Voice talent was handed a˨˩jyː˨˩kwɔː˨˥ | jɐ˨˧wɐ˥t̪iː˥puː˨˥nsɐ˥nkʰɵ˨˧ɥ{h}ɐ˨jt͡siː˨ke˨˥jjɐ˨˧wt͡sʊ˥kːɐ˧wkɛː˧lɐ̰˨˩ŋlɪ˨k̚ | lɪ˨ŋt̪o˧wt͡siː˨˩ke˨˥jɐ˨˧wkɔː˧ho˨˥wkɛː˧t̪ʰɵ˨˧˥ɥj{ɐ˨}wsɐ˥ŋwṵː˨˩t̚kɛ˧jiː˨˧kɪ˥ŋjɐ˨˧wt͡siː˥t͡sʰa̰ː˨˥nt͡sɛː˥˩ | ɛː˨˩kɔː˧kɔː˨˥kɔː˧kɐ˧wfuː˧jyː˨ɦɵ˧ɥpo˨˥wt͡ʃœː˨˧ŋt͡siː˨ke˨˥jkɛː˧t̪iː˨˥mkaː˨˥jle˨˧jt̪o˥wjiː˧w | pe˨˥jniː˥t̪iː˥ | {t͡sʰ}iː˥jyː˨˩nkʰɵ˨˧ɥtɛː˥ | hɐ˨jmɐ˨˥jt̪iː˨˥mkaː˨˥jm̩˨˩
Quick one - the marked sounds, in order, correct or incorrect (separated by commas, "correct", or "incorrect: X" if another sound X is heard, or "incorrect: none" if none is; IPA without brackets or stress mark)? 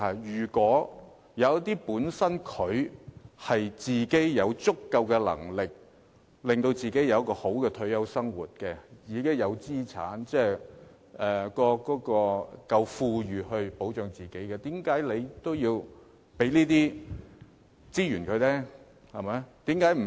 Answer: correct, incorrect: ɐ˥, incorrect: t͡s